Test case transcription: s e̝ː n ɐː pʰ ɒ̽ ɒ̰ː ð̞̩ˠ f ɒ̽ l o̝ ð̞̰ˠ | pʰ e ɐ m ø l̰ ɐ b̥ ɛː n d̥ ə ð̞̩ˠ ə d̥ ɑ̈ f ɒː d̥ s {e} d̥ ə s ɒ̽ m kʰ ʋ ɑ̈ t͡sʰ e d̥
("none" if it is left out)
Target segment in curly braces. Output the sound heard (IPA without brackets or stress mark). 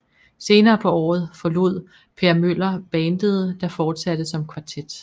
æ